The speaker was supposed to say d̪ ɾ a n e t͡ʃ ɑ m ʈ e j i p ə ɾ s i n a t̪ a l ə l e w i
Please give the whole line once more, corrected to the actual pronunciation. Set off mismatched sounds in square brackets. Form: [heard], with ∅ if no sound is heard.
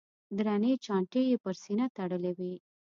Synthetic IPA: d̪ ɾ a n e t͡ʃ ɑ [ɳ] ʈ e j [e] p ə ɾ s i n a t̪ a [ɽ] ə l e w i